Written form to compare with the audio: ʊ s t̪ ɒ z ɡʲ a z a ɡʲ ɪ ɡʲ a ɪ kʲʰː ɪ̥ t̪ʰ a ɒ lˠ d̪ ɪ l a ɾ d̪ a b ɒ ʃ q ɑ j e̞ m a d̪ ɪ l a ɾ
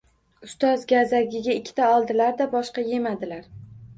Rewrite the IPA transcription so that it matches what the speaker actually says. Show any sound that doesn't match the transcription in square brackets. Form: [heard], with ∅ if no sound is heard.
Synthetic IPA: ʊ s t̪ ɒ z ɡʲ a z a ɡʲ ɪ ɡʲ a ɪ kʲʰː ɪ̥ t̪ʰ a ɒ lˠ d̪ ɪ l a ɾ d̪ a b ɒ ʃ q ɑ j e̞ m a d̪ ɪ l a ɾ